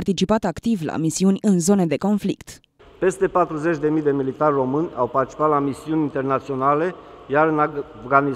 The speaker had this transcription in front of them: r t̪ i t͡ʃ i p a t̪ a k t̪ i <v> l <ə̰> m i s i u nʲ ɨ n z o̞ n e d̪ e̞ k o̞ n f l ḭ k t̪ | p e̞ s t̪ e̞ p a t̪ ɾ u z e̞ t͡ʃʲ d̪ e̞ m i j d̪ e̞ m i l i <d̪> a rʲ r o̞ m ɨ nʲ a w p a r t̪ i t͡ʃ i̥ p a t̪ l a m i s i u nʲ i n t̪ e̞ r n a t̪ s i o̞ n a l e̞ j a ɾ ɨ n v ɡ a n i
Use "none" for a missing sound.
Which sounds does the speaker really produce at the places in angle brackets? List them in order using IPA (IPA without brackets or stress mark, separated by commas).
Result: v, a̰, t̪